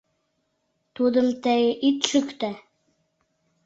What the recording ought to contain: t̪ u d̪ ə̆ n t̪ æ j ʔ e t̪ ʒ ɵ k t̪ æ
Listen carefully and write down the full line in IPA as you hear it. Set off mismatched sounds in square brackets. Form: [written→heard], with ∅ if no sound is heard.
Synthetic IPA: t̪ u d̪ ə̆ [n→m] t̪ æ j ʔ [e→i] t̪ [ʒ→ʃ] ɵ k t̪ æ